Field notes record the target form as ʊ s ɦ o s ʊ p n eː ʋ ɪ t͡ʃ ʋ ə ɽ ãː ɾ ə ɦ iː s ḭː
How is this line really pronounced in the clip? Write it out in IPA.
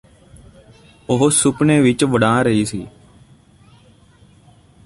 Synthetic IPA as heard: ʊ ɦ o s ʊ p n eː ʋ ɪ t͡ʃ ʋ ə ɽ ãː ɾ ə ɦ iː s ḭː